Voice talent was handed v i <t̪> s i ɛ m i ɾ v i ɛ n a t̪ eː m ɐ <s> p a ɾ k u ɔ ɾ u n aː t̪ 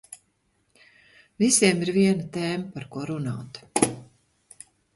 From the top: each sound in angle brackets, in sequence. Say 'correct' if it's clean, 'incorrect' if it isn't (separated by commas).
incorrect, incorrect